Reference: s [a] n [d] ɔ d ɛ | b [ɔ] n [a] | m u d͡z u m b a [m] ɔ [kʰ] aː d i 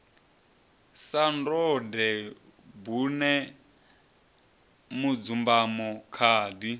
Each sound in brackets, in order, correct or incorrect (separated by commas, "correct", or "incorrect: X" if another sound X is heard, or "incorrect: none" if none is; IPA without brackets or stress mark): correct, correct, incorrect: u, incorrect: ɛ, correct, correct